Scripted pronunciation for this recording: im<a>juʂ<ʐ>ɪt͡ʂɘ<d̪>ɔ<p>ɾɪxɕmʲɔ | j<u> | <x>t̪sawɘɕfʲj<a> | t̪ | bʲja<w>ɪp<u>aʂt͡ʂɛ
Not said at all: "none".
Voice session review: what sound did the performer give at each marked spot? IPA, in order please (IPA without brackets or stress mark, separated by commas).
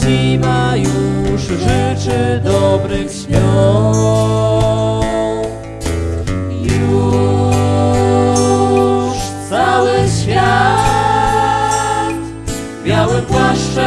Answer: a, ʐ, d̪, b, u, ʂ, a, w, w